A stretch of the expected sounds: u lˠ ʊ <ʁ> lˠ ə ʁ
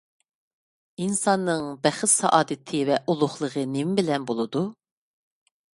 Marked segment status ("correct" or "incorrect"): incorrect